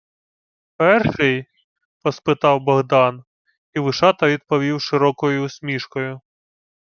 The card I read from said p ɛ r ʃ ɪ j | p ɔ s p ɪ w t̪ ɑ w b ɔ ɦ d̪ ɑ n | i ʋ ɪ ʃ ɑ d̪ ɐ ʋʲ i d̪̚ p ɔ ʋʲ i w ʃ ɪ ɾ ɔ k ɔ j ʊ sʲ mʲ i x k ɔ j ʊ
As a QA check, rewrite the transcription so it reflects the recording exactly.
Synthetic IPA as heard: p ɛ r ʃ ɪ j | p ɔ s p ɪ t̪ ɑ w b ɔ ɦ d̪ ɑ n | i ʋ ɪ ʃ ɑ t̪ ɐ ʋʲ i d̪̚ p ɔ ʋʲ i w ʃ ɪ ɾ ɔ k ɔ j ʊ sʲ mʲ i ʃ k ɔ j ʊ